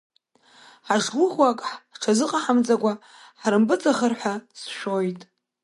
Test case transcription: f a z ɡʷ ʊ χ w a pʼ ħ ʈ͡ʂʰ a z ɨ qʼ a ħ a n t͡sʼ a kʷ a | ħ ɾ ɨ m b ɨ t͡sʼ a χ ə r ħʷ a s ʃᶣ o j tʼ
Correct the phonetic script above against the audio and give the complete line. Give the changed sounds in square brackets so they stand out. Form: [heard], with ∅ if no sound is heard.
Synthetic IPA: [ħ] a [ʐ] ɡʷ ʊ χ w a [kʼ] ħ ʈ͡ʂʰ a z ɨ qʼ a ħ a [m] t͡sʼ a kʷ a | ħ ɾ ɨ m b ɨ t͡sʼ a χ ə r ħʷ a s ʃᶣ o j tʼ